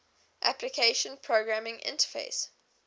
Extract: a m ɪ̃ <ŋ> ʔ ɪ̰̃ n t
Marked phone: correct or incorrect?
correct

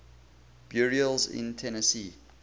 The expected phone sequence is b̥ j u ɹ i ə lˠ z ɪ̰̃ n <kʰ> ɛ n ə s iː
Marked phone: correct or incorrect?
incorrect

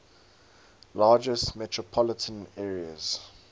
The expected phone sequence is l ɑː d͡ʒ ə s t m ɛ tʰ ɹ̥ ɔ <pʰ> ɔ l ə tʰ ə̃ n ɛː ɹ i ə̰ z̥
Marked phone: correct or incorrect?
correct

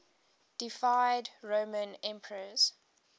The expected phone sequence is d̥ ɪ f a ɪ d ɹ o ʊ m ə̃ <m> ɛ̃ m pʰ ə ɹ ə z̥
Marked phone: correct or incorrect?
incorrect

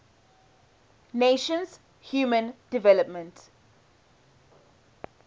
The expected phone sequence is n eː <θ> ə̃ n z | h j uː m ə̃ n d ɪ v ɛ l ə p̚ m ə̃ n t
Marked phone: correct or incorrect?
incorrect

